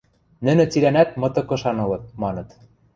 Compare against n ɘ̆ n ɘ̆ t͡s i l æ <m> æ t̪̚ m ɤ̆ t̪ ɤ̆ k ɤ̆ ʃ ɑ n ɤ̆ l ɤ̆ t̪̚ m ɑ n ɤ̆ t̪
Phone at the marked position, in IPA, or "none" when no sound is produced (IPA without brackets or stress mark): n